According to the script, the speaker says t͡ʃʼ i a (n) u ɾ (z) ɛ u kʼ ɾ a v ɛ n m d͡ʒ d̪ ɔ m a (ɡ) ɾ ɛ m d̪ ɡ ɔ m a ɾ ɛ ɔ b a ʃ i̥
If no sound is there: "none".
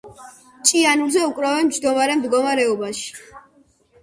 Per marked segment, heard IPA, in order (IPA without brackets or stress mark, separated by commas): n, z, none